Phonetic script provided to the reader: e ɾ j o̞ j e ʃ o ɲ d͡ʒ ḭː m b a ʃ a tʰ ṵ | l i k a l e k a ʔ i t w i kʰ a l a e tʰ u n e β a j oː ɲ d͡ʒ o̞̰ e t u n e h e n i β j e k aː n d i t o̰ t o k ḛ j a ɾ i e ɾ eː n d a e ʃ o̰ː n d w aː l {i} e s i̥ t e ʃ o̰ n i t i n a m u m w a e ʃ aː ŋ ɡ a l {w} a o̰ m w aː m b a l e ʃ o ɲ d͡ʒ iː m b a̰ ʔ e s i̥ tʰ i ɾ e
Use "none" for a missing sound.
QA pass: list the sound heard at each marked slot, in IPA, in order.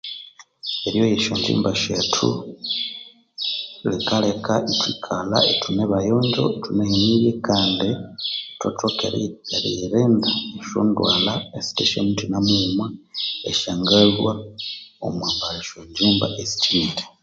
a, w

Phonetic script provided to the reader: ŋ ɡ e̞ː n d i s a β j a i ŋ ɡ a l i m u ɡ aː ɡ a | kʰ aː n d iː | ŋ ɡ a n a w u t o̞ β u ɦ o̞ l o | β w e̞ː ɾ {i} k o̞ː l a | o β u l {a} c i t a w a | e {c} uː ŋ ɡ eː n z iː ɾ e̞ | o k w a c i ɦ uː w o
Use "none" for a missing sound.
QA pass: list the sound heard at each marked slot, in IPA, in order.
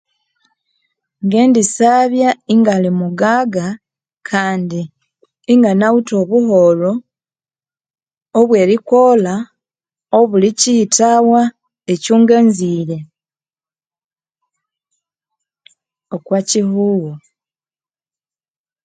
i, i, c

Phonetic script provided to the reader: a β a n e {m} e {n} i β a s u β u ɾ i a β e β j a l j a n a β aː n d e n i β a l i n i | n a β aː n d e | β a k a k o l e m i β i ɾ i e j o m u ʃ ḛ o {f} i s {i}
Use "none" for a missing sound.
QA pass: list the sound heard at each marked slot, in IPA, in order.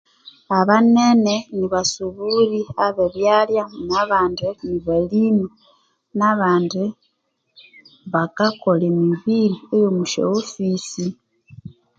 n, n, f, i

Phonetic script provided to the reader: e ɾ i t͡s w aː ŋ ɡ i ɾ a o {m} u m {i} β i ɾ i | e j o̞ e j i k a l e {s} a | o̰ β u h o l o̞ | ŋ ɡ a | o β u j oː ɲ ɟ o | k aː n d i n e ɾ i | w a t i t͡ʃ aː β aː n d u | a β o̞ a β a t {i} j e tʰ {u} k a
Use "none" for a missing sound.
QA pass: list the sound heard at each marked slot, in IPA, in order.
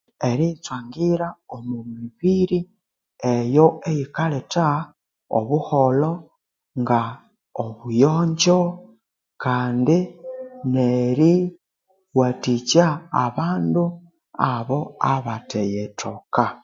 m, i, t, e, o

